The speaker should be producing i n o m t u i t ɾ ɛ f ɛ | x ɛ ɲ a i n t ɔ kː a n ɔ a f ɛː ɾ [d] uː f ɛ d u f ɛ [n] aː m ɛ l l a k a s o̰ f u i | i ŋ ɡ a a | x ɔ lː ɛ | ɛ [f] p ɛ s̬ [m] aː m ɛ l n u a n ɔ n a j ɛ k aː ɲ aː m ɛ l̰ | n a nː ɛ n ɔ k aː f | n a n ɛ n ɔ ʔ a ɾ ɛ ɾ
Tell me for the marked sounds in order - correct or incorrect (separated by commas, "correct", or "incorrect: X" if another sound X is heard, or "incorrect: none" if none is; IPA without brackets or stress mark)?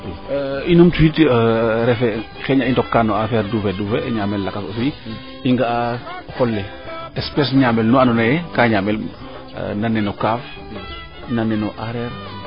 correct, incorrect: ɲ, incorrect: s, incorrect: ɲ